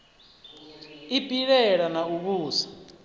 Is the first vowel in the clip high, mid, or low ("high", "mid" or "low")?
high